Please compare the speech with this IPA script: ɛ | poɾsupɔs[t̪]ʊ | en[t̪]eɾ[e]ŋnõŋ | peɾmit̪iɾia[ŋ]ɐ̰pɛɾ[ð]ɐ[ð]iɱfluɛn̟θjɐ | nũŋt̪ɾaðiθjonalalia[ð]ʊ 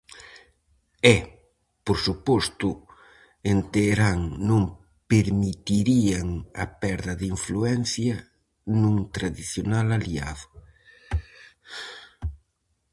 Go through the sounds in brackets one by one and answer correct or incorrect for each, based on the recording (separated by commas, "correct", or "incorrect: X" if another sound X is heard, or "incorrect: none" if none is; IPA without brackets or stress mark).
correct, correct, incorrect: a, correct, correct, correct, correct